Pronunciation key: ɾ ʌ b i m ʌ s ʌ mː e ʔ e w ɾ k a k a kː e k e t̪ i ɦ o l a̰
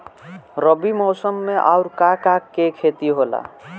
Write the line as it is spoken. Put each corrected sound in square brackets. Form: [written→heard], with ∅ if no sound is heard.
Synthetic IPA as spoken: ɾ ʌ b i m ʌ s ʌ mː e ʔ [e→a] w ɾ k a k a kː e [k→kʰ] e t̪ i ɦ o l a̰